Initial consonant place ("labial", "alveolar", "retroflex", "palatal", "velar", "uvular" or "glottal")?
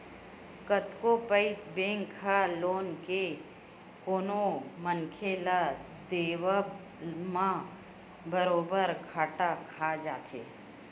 velar